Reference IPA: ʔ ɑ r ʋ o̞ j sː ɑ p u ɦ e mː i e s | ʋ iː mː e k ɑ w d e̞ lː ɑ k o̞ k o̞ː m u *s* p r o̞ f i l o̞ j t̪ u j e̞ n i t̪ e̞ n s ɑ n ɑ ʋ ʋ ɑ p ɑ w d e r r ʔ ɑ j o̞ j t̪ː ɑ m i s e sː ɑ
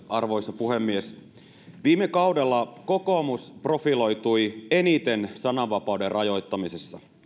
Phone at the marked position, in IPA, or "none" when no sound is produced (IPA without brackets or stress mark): s